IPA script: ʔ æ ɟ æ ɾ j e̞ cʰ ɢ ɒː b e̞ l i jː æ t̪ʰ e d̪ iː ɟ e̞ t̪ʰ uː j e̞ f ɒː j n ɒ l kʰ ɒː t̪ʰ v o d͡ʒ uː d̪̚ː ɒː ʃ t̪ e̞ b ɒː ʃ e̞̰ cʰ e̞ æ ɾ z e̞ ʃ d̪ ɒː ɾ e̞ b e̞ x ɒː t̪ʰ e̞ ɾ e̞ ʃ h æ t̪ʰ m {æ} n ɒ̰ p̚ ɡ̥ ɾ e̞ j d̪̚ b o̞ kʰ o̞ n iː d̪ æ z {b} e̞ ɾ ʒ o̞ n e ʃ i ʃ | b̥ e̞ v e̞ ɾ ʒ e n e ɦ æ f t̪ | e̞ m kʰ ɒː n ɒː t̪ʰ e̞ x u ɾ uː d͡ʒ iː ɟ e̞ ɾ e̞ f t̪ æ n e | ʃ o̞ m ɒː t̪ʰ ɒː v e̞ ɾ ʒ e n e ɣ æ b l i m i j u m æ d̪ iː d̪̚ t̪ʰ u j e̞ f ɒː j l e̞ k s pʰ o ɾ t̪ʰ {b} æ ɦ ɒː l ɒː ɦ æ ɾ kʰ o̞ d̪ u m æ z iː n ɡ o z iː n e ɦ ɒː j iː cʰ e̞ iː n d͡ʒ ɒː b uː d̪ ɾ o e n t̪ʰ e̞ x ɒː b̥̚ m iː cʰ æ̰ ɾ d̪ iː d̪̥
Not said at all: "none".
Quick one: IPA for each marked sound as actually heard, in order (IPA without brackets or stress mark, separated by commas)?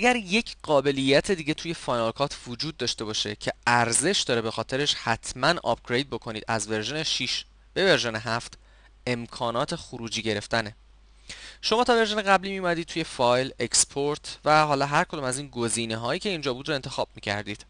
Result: æ, v, v